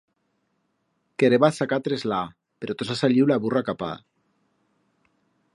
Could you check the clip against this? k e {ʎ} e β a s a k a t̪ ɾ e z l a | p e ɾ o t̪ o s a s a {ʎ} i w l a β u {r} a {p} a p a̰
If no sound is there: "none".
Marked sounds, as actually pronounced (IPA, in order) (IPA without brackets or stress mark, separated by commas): ɾ, ʎ, r, k